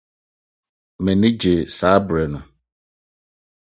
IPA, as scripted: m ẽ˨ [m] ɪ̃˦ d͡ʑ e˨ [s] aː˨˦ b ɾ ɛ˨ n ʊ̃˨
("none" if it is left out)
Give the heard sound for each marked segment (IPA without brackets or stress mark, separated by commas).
n, s